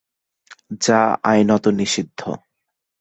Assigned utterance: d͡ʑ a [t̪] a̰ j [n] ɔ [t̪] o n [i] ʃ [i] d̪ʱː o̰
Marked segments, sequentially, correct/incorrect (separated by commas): incorrect, correct, correct, correct, correct